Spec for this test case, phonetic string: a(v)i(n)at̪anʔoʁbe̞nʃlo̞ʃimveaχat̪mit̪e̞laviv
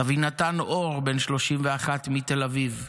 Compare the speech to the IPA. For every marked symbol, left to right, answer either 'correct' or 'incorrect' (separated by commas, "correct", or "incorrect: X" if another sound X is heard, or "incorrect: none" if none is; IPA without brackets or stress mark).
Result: correct, correct